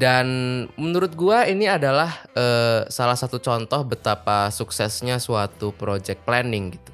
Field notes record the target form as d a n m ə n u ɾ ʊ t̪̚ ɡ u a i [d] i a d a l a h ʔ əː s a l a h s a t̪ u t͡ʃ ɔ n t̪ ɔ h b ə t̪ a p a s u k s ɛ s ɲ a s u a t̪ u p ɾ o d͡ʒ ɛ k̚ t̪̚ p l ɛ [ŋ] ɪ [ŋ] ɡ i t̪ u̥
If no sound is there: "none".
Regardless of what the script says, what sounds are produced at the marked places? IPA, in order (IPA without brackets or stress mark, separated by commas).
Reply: n, n, ŋ